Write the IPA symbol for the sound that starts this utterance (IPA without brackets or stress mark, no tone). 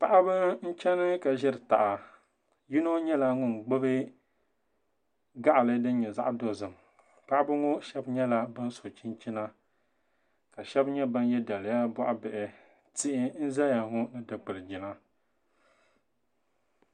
p